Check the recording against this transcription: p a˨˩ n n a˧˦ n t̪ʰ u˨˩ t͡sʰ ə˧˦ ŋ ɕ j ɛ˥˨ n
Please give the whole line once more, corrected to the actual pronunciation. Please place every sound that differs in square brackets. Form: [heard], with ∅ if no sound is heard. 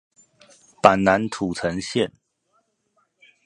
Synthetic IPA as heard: p a˨˩ n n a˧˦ n t̪ʰ u˨˩ t͡sʰ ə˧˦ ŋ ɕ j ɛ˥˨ n